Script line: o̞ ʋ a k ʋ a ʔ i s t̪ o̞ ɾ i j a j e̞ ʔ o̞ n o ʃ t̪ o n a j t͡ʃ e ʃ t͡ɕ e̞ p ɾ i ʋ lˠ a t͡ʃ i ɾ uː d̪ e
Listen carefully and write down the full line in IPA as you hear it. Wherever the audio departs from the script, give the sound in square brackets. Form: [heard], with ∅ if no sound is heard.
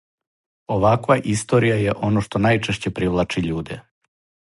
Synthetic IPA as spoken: o̞ ʋ a k ʋ a ʔ i s t̪ o̞ ɾ i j a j e̞ ʔ o̞ n o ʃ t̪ o n a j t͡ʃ e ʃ t͡ɕ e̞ p ɾ i ʋ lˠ a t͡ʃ i [ʎ] uː d̪ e